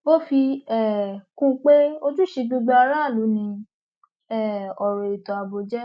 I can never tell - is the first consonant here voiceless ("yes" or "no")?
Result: yes